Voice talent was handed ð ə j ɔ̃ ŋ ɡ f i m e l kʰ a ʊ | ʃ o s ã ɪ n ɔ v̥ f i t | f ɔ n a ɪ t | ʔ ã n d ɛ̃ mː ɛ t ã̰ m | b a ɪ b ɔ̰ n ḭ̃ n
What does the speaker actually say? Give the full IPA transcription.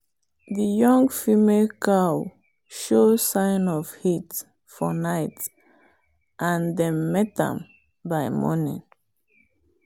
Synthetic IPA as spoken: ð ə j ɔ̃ ŋ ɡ f i m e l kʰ a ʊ | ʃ o s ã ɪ n ɔ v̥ h i t | f ɔ n a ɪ t | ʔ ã n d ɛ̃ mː ɛ t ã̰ m | b a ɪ m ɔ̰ n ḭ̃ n